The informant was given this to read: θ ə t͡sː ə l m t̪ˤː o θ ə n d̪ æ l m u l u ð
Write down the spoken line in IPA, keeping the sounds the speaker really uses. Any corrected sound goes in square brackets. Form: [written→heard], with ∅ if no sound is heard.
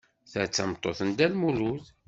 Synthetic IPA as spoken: θ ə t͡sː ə [l→∅] m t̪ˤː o θ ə n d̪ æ l m u l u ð

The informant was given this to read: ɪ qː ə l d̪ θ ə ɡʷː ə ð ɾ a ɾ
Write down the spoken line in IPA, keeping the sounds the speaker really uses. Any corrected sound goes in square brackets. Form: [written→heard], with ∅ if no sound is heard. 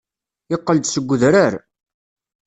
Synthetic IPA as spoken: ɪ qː ə l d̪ [θ→s] ə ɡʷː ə ð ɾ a ɾ

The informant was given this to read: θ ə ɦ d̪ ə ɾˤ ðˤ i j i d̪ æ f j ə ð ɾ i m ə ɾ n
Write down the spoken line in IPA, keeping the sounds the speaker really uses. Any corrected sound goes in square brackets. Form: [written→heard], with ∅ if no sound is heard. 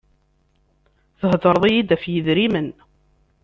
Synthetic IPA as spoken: θ ə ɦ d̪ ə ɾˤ ðˤ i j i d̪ æ f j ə ð ɾ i m ə [ɾ→∅] n

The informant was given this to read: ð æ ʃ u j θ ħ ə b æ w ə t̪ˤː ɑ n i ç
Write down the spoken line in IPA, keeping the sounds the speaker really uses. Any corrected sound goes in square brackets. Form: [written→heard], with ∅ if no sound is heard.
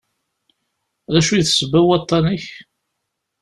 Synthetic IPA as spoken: ð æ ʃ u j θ [ħ→s] ə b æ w [ə→ɑ] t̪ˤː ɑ n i ç

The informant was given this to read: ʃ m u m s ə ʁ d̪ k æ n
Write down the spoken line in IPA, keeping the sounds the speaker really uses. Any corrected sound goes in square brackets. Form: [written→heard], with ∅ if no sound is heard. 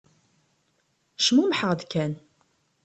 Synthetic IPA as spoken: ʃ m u m [s→ħ] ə ʁ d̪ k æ n

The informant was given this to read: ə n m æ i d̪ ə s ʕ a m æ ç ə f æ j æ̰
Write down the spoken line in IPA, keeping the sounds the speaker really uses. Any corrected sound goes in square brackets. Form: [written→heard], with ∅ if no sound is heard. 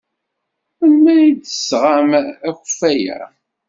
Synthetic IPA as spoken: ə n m æ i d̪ ə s [ʕ→ʁ] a m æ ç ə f æ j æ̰

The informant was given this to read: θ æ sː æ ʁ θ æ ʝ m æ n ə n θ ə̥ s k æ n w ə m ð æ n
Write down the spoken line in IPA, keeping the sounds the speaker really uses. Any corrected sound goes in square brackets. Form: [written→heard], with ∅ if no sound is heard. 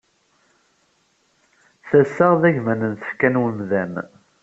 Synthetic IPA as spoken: θ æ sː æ ʁ [θ→ð] æ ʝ m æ n ə n θ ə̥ [s→f] k æ n w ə m ð æ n

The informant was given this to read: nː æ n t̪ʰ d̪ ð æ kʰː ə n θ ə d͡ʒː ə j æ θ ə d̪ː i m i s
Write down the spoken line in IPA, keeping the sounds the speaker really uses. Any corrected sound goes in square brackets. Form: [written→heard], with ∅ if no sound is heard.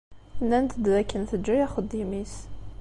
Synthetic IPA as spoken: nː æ n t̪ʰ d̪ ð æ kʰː ə n θ ə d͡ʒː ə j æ [θ→χ] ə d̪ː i m i s

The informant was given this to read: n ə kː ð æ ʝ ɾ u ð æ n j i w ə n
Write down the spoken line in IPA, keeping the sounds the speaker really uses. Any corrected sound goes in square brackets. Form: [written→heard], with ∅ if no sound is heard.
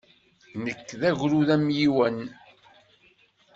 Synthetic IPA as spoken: n ə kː ð æ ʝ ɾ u ð æ [n→m] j i w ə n

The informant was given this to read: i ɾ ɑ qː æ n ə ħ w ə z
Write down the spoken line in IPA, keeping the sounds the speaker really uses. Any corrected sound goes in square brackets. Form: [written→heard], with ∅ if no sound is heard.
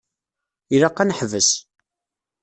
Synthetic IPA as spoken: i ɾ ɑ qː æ n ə ħ [w→v] ə [z→s]

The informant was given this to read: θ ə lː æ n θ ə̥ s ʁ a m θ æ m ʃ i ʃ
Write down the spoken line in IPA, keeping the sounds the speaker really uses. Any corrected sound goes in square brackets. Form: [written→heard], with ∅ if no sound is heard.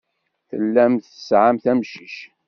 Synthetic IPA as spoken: θ ə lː æ [n→m] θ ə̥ s [ʁ→ʕ] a m θ æ m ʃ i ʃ

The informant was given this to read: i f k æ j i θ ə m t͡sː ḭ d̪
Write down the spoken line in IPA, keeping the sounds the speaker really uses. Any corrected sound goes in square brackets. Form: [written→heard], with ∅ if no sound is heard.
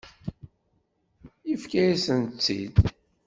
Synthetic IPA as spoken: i f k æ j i [θ→s] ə [m→n] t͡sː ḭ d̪

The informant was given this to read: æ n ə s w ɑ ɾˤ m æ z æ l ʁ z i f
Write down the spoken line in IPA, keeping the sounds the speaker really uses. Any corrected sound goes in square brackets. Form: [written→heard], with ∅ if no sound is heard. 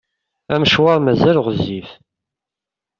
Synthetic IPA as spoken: æ [n→m] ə [s→ʃ] w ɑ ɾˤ m æ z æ l ʁ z i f

